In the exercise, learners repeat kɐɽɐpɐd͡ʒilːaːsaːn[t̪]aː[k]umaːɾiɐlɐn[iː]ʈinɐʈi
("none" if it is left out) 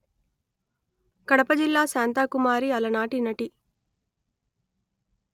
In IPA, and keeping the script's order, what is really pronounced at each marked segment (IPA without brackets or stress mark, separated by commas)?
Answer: t̪, k, aː